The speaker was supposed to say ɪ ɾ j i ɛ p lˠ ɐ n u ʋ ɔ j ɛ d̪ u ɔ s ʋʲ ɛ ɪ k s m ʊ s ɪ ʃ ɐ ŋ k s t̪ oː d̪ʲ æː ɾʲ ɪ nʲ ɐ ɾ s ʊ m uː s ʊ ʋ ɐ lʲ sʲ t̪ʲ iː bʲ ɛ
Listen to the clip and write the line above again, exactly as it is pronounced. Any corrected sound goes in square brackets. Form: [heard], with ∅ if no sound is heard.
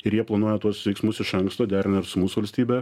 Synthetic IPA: ɪ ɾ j i ɛ p lˠ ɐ n u [∅] ɔ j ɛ [t̪] u ɔ s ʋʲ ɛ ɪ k s m ʊ s ɪ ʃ ɐ ŋ k s t̪ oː d̪ʲ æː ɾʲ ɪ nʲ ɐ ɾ s ʊ m uː s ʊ ʋ ɐ lʲ sʲ t̪ʲ iː bʲ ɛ

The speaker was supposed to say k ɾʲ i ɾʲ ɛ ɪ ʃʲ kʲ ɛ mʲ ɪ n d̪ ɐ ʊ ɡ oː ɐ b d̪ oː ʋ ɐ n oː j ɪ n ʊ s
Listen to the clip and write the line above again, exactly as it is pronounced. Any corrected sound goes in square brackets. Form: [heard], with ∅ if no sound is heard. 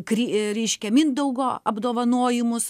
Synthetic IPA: k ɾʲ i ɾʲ ɛ ɪ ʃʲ kʲ ɛ mʲ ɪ n d̪ ɐ ʊ ɡ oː ɐ b d̪ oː ʋ ɐ n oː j ɪ [m] ʊ s

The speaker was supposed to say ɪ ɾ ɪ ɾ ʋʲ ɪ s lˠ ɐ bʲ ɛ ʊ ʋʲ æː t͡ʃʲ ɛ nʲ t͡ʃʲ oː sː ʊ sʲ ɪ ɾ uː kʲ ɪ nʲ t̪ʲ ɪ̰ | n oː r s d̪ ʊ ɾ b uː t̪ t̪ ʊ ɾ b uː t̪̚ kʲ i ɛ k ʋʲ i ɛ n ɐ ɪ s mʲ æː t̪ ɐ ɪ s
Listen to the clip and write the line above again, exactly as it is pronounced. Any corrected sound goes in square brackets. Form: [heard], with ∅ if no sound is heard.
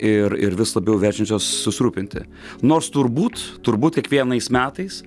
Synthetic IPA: ɪ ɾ ɪ ɾ ʋʲ ɪ s lˠ ɐ bʲ ɛ ʊ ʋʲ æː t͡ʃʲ ɛ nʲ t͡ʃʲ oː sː ʊ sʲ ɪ ɾ uː [pʲ] ɪ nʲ t̪ʲ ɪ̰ | n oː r s [t̪] ʊ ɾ b uː t̪ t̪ ʊ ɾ b uː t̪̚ kʲ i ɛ k ʋʲ i ɛ n ɐ ɪ s mʲ æː t̪ ɐ ɪ s

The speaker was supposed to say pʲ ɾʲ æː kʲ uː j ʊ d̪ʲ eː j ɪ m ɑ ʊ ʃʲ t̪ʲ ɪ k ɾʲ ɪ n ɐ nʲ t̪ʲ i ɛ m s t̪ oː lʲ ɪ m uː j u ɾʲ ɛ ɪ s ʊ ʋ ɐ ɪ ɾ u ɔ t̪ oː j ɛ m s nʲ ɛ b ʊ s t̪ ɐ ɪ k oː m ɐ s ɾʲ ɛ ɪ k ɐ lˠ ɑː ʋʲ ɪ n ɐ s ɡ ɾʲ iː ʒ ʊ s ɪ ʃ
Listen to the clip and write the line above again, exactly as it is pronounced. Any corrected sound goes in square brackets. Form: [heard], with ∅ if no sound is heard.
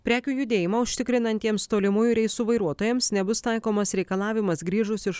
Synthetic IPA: pʲ ɾʲ æː kʲ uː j ʊ d̪ʲ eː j ɪ m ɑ ʊ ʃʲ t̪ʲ ɪ k ɾʲ ɪ n ɐ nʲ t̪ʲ i ɛ m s t̪ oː lʲ ɪ m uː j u ɾʲ ɛ ɪ s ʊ ʋ ɐ ɪ ɾ u ɔ t̪ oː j ɛ m s nʲ ɛ b ʊ s t̪ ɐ ɪ k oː m ɐ s ɾʲ ɛ ɪ k ɐ lˠ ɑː ʋʲ ɪ [m] ɐ s ɡ ɾʲ iː ʒ ʊ s ɪ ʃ

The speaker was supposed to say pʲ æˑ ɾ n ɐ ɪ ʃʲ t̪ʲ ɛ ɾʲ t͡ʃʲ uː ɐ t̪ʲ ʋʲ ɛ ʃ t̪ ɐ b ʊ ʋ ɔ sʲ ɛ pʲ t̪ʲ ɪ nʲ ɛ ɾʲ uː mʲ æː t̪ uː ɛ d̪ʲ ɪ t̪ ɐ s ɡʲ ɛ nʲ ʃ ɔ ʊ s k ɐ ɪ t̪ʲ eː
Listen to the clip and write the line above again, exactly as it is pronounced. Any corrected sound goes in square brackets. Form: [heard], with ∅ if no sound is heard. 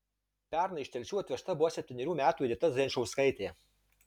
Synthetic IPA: pʲ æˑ ɾ n ɐ ɪ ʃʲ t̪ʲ ɛ [lʲ] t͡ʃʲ uː ɐ t̪ʲ ʋʲ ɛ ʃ t̪ ɐ b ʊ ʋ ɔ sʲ ɛ pʲ t̪ʲ ɪ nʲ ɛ ɾʲ uː mʲ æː t̪ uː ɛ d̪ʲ ɪ t̪ ɐ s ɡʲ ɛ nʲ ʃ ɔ ʊ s k ɐ ɪ t̪ʲ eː

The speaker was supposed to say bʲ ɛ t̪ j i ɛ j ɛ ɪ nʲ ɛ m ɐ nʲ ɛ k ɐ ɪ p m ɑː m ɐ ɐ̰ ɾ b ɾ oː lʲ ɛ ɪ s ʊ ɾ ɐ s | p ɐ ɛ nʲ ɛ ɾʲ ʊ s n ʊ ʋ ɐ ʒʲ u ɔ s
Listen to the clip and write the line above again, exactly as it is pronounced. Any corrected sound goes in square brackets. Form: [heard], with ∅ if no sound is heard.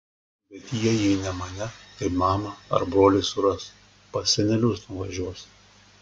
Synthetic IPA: bʲ ɛ t̪ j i ɛ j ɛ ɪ nʲ ɛ m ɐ nʲ ɛ k ɐ ɪ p m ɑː m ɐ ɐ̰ ɾ b ɾ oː lʲ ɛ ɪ s ʊ ɾ ɐ s | p ɐ ɛ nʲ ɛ [lʲ] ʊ s n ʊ ʋ ɐ ʒʲ u ɔ s

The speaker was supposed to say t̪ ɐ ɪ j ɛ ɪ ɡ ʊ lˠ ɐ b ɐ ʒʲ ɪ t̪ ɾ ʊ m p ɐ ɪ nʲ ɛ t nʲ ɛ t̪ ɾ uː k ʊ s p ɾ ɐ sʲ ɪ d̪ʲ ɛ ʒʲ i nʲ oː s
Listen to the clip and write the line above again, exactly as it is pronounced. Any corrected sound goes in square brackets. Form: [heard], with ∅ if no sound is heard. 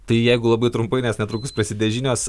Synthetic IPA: t̪ ɐ ɪ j ɛ ɪ ɡ ʊ lˠ ɐ b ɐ [∅] ɪ t̪ ɾ ʊ m p ɐ ɪ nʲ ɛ [s] nʲ ɛ t̪ ɾ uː k ʊ s p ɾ ɐ sʲ ɪ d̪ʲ ɛ ʒʲ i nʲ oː s

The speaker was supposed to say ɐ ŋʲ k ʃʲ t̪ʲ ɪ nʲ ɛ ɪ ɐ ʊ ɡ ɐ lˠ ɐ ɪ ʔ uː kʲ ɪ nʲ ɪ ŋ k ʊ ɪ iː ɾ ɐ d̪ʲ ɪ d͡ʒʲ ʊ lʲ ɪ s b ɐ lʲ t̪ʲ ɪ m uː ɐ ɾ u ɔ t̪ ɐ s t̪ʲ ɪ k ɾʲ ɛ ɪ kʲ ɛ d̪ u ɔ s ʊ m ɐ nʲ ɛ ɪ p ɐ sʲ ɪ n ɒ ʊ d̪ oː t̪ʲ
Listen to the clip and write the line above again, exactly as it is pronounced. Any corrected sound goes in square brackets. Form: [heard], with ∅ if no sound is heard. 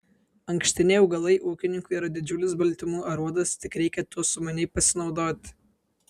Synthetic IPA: ɐ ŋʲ k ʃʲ t̪ʲ ɪ nʲ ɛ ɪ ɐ ʊ ɡ ɐ lˠ ɐ ɪ ʔ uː kʲ ɪ nʲ ɪ ŋ k ʊ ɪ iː ɾ ɐ d̪ʲ ɪ d͡ʒʲ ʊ lʲ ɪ s b ɐ lʲ t̪ʲ ɪ m uː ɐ ɾ u ɔ [d̪] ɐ s t̪ʲ ɪ k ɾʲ ɛ ɪ kʲ ɛ [t̪] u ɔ s ʊ m ɐ nʲ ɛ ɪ p ɐ sʲ ɪ n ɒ ʊ d̪ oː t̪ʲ

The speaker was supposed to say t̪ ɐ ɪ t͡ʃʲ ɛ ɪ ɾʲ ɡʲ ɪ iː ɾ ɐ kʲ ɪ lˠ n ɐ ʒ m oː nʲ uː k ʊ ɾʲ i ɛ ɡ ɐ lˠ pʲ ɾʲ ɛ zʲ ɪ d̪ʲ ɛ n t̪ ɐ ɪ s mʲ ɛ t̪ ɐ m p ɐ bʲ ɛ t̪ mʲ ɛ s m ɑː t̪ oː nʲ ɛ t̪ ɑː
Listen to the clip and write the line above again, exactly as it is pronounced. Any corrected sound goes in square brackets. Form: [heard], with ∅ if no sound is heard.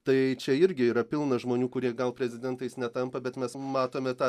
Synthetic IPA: t̪ ɐ ɪ t͡ʃʲ ɛ ɪ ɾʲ ɡʲ ɪ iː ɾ ɐ [pʲ] ɪ lˠ n ɐ ʒ m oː nʲ uː k ʊ ɾʲ i ɛ ɡ ɐ lˠ pʲ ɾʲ ɛ zʲ ɪ d̪ʲ ɛ n t̪ ɐ ɪ s [nʲ] ɛ t̪ ɐ m p ɐ bʲ ɛ t̪ mʲ ɛ s m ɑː t̪ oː [mʲ] ɛ t̪ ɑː

